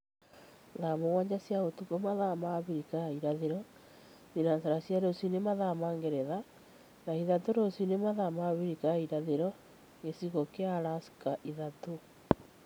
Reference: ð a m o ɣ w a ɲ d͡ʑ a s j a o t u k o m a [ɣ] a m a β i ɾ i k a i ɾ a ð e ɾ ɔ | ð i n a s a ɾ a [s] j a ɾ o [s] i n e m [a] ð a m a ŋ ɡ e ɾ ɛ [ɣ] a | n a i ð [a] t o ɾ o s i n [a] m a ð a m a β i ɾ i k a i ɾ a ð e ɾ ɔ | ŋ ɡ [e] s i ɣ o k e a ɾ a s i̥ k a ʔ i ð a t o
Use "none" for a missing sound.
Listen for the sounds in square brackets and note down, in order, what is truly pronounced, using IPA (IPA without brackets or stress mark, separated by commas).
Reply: ð, s, s, a, ð, a, e, e